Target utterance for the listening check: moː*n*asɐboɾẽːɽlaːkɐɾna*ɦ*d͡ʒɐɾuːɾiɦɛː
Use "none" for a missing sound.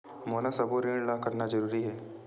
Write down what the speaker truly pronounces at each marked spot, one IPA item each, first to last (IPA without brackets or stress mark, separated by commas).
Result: n, none